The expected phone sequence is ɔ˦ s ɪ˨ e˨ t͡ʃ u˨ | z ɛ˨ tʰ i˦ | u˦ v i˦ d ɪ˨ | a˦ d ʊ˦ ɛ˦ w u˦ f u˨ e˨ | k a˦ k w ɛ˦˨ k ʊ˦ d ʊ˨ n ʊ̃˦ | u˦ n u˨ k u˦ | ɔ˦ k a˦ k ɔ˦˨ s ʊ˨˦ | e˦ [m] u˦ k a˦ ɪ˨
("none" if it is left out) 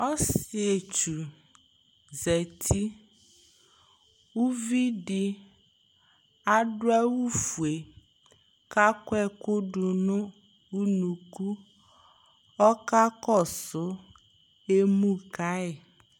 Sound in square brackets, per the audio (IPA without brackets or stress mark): m